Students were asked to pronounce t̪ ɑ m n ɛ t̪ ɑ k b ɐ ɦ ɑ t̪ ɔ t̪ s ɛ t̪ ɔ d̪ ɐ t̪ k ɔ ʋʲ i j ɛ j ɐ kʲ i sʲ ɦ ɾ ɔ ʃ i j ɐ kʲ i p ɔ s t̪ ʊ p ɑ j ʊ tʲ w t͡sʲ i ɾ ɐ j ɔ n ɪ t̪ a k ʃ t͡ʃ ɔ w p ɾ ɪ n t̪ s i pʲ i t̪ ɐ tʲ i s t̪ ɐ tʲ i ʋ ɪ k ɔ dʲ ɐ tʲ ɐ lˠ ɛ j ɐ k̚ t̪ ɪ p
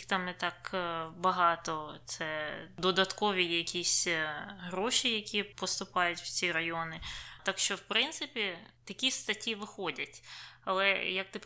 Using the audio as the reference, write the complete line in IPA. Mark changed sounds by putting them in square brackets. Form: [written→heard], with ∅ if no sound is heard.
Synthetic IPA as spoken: t̪ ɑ m n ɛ t̪ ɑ k b ɐ ɦ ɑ t̪ ɔ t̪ s ɛ [t̪→d̪] ɔ d̪ ɐ t̪ k ɔ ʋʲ i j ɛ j ɐ kʲ i sʲ ɦ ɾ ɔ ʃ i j ɐ kʲ i p ɔ s t̪ ʊ p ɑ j ʊ tʲ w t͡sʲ i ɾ ɐ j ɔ n ɪ t̪ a k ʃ t͡ʃ ɔ w p ɾ ɪ n t̪ s [i→ɪ] pʲ i t̪ ɐ [tʲ→kʲ] i s t̪ ɐ tʲ i ʋ ɪ [k→x] ɔ dʲ ɐ tʲ ɐ lˠ ɛ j ɐ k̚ t̪ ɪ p